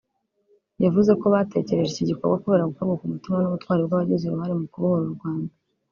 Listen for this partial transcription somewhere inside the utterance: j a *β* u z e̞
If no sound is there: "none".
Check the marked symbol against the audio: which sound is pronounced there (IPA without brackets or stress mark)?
v